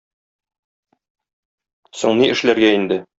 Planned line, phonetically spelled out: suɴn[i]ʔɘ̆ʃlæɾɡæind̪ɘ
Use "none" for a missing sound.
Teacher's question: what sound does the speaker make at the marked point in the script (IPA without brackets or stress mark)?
i